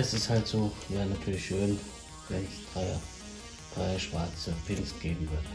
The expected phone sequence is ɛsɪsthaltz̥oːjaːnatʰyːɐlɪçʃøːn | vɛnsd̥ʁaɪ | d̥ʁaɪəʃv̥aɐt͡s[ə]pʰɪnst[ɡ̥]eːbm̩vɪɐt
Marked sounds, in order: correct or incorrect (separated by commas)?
correct, correct